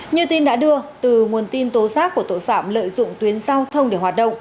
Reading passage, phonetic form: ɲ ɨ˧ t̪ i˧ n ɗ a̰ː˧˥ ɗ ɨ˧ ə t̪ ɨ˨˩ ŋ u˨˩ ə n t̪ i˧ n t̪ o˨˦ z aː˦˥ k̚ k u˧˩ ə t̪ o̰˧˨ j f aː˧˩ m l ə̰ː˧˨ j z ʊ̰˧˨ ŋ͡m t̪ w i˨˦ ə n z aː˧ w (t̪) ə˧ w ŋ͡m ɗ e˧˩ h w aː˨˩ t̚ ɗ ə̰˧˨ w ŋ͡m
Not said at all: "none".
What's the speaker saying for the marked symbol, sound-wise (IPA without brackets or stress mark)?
t̪ʰ